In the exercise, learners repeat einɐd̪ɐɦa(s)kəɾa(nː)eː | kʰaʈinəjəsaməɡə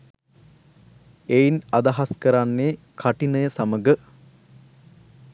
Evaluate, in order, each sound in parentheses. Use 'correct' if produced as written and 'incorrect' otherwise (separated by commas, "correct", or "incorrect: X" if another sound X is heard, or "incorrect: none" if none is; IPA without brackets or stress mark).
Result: correct, correct